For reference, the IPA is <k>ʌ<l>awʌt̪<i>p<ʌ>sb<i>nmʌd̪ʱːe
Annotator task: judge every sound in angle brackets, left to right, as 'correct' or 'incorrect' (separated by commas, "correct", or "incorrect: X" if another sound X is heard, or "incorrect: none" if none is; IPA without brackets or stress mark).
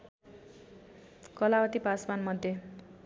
correct, correct, correct, incorrect: a, incorrect: a